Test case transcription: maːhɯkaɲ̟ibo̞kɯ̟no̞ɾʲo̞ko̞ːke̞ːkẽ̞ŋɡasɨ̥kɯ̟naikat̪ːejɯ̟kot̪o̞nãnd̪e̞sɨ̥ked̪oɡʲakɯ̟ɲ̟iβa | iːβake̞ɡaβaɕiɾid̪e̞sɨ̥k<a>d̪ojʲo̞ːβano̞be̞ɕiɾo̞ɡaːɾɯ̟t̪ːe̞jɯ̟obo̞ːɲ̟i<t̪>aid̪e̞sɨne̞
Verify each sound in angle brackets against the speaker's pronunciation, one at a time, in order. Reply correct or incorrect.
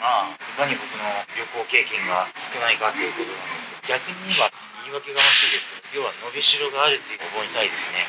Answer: incorrect, correct

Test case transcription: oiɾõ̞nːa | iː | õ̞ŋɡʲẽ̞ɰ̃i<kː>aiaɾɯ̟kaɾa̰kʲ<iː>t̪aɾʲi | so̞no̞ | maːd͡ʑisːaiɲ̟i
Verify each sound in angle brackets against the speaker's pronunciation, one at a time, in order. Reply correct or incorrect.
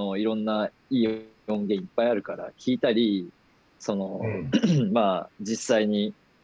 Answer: incorrect, correct

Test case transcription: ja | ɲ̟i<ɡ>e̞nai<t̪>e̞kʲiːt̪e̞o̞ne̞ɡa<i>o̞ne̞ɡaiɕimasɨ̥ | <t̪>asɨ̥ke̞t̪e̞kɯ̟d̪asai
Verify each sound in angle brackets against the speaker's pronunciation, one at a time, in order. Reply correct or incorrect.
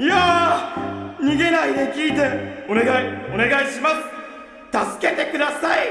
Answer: correct, incorrect, correct, correct

